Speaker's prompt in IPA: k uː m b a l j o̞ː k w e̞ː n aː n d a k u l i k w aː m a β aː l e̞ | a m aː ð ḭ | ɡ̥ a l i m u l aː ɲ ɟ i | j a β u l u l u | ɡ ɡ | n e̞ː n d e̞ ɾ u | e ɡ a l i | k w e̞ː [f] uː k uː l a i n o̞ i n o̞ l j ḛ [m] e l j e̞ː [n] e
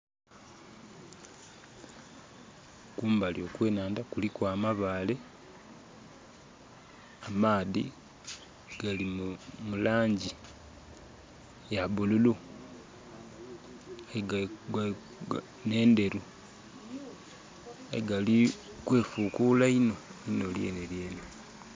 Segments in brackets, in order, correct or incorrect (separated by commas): correct, incorrect, correct